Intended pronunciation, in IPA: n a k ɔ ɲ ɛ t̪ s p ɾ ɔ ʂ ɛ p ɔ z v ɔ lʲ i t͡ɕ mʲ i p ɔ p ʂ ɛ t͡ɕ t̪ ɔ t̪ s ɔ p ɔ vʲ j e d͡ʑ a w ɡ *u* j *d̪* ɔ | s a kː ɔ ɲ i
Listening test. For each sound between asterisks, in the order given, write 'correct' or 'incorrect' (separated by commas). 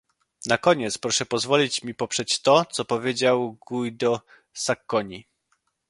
correct, correct